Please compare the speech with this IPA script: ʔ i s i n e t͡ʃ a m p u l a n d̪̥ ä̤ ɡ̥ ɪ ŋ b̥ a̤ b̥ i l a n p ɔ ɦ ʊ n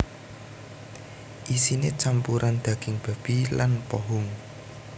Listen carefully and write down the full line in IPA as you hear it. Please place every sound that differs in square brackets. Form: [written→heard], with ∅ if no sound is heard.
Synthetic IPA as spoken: ʔ i s i n e t͡ʃ a m p u [l→ɾ] a n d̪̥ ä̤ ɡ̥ ɪ ŋ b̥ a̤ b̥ i l a n p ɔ ɦ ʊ [n→ŋ]